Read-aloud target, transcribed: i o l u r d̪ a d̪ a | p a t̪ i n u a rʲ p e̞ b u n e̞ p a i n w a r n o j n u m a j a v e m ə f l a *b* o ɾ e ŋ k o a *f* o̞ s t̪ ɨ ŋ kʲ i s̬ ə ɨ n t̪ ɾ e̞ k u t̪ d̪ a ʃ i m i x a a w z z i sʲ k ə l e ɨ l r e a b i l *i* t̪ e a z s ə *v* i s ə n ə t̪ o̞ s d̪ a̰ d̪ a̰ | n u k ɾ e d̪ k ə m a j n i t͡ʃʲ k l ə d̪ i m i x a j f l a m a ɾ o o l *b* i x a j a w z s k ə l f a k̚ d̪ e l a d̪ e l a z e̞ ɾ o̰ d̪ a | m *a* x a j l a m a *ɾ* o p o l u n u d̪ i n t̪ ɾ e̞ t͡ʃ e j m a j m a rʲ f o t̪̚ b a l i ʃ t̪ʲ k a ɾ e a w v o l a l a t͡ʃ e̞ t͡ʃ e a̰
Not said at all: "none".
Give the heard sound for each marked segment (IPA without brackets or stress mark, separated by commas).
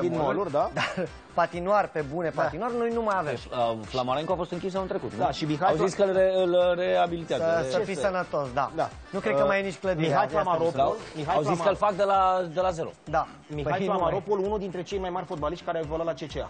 m, f, i, f, m, i, ɾ